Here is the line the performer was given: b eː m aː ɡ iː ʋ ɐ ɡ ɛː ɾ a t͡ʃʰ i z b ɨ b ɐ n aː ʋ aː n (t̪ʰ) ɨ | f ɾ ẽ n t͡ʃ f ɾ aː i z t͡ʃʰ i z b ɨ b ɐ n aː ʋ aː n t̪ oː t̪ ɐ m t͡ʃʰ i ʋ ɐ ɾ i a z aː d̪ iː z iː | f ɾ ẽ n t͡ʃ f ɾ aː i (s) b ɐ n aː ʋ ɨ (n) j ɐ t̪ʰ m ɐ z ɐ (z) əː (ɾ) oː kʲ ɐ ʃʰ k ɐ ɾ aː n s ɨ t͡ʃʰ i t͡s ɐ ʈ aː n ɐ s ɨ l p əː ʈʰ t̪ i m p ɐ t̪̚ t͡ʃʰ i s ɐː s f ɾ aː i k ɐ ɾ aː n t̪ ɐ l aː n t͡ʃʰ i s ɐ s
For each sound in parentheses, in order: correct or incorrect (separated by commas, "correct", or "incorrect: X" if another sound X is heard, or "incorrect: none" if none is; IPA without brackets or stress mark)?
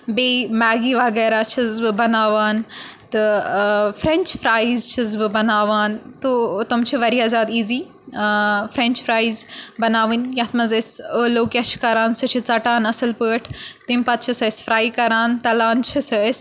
incorrect: t̪, incorrect: z, correct, incorrect: s, incorrect: l